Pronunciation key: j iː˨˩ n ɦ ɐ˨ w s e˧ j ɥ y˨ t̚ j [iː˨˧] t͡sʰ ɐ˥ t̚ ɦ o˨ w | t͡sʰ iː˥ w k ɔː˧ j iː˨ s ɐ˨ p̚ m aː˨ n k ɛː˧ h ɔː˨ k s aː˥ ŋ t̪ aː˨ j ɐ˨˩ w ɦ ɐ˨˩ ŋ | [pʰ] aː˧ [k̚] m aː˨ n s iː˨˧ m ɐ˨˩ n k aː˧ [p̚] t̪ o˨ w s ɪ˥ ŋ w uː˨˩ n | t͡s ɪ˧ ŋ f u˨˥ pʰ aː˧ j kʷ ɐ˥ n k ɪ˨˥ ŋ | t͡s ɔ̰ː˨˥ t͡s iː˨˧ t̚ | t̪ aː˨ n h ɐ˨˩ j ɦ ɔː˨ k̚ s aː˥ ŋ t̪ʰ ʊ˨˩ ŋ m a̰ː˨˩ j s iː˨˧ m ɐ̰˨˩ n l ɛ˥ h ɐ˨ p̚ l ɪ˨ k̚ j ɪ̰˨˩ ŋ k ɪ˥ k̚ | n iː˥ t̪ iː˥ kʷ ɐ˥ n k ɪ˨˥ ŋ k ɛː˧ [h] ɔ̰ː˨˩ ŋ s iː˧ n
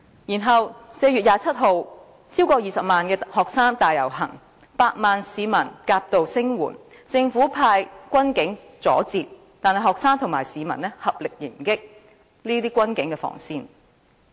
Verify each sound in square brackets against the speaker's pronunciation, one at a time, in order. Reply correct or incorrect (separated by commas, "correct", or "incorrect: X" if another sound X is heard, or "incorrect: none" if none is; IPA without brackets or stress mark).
incorrect: aː˨˧, incorrect: p, incorrect: t̚, correct, incorrect: f